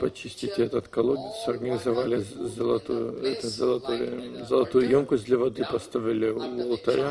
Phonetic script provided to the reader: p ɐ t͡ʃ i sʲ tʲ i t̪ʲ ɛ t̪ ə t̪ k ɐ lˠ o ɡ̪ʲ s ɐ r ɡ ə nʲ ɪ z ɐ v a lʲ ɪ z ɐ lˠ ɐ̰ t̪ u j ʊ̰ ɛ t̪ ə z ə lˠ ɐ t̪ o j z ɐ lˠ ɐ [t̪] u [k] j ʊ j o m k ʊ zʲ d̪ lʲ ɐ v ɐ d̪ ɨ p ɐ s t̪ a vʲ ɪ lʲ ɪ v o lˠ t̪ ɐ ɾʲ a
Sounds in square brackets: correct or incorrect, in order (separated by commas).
correct, incorrect